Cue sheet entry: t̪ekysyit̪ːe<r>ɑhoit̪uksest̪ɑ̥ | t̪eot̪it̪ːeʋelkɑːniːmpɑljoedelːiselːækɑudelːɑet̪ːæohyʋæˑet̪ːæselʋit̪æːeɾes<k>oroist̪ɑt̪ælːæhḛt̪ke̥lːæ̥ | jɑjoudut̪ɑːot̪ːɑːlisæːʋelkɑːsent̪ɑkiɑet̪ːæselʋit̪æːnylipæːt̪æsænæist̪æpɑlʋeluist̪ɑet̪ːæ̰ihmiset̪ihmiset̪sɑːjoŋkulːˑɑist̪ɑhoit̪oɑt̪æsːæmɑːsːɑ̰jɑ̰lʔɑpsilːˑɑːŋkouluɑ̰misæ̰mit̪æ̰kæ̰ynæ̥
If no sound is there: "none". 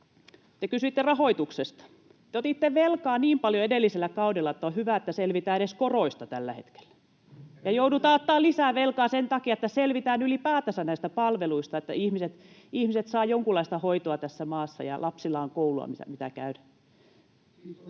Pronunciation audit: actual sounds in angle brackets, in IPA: r, k

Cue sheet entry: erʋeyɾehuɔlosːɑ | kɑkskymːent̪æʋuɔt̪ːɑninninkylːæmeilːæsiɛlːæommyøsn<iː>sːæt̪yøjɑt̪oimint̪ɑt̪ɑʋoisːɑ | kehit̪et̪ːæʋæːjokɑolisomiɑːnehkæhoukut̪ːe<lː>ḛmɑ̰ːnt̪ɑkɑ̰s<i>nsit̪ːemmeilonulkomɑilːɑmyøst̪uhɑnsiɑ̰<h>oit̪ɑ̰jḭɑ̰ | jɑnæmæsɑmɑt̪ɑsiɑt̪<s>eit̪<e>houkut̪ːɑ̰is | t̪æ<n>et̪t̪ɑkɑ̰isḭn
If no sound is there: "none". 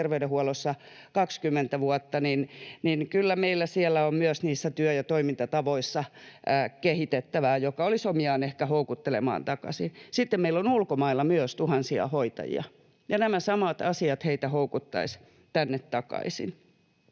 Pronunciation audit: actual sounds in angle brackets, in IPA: iː, l, i, h, h, æ, nː

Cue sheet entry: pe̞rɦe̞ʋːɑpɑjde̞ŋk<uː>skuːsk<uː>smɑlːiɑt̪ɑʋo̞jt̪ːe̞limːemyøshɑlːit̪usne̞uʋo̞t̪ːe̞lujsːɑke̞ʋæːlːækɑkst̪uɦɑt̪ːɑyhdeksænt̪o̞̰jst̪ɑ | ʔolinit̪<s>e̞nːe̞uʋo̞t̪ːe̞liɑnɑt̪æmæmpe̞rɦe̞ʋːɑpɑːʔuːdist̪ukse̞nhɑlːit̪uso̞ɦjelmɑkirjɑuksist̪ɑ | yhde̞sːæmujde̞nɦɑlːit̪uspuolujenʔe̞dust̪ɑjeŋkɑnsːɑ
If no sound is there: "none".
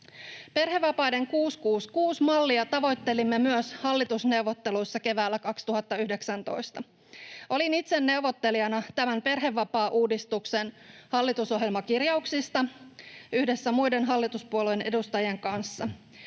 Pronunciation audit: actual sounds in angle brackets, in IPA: uː, uː, s

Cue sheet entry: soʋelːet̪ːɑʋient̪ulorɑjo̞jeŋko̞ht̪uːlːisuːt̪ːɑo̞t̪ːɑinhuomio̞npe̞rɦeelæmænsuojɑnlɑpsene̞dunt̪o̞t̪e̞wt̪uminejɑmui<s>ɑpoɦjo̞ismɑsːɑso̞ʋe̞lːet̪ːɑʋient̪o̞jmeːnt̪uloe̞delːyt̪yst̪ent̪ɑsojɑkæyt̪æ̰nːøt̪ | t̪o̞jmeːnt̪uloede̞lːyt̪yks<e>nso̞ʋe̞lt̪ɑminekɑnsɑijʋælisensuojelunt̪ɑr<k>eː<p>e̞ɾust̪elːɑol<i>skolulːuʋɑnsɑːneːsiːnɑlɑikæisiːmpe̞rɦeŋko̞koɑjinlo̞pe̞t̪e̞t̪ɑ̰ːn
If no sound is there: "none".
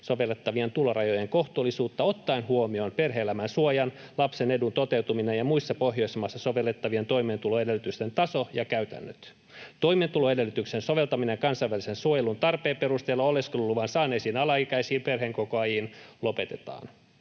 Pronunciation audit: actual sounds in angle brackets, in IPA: sː, e, p, p, e

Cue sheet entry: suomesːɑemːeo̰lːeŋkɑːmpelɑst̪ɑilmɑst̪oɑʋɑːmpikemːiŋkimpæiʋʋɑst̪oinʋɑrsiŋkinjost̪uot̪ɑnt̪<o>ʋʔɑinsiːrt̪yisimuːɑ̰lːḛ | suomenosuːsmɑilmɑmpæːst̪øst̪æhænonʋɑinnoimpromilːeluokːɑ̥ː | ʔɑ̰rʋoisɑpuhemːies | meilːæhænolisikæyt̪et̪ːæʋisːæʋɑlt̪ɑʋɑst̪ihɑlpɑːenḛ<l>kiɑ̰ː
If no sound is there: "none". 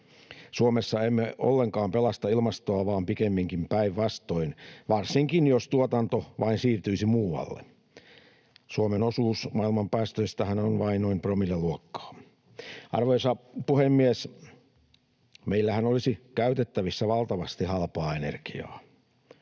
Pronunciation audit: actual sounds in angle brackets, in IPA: o, r

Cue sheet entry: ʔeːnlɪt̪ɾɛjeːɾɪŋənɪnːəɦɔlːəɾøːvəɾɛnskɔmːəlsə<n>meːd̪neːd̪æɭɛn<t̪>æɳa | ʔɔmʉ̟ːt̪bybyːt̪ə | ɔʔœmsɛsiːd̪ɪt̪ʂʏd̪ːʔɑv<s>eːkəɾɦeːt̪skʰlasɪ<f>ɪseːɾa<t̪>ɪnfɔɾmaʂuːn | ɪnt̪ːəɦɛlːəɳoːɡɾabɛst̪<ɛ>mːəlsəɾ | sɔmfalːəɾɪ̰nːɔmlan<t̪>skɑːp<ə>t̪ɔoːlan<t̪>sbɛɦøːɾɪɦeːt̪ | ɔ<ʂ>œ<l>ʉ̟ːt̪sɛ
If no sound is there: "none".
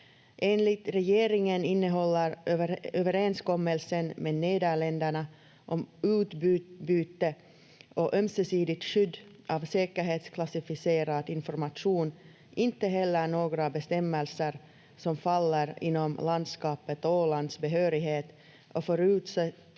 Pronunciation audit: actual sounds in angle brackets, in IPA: n, d̪, s, f, d̪, ɛ, d̪, ə, d̪, f, ɾ

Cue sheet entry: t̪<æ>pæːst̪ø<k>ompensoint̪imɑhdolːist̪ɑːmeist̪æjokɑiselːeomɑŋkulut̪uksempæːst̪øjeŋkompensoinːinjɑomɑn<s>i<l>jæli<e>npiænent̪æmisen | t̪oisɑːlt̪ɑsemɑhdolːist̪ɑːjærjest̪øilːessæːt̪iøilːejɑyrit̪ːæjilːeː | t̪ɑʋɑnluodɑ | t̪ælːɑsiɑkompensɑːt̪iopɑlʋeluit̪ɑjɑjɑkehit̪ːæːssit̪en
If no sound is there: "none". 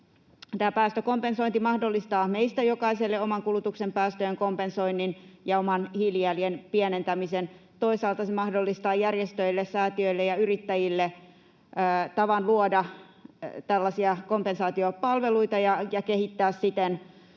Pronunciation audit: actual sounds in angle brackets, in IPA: æː, k, h, l, e

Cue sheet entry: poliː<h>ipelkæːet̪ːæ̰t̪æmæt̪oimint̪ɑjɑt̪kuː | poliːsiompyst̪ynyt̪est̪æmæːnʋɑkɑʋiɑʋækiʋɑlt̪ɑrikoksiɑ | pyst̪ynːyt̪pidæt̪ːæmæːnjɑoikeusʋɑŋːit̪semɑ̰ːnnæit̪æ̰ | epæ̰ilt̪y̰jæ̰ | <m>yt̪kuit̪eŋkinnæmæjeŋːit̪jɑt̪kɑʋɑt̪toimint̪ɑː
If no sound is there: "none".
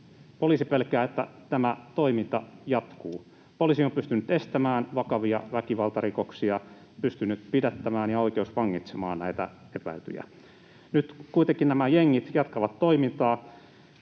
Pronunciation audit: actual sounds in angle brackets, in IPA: s, n

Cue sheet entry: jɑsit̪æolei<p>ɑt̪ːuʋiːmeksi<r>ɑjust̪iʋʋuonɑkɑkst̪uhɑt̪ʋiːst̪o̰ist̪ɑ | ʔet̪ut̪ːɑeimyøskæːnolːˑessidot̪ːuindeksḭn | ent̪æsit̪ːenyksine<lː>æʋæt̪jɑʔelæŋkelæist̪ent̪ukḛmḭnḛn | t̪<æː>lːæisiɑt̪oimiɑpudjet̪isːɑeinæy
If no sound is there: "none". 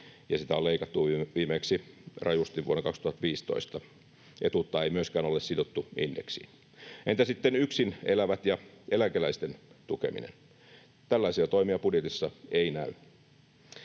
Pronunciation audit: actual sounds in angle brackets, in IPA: k, r, l, æ

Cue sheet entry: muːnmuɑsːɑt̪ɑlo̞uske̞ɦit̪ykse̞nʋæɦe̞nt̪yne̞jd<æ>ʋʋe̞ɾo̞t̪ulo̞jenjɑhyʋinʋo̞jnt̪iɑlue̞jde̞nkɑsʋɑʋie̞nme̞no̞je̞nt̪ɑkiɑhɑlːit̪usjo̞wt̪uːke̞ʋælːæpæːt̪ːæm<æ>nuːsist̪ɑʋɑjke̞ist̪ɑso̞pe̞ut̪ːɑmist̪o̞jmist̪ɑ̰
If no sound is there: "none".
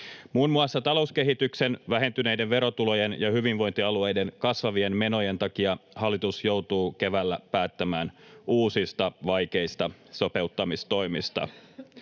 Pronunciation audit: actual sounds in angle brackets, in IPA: e, æː

